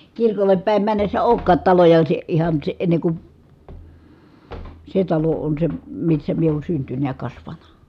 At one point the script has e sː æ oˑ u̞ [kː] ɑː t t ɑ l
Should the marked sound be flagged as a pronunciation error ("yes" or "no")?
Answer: no